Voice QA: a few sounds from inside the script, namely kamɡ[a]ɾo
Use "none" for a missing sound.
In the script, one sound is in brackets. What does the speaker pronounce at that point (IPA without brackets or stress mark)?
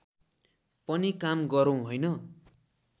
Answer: ʌ